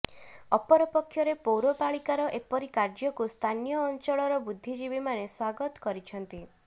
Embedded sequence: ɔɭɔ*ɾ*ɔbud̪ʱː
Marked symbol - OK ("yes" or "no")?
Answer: yes